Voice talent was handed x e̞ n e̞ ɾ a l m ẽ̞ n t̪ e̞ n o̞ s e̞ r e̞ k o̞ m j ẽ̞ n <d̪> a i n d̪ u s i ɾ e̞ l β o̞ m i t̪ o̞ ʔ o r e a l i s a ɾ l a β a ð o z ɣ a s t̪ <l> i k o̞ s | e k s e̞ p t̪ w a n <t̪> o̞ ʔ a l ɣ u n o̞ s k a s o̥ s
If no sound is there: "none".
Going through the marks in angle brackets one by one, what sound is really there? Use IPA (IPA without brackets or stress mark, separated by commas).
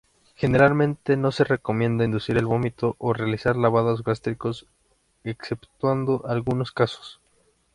d̪, ɾ, d̪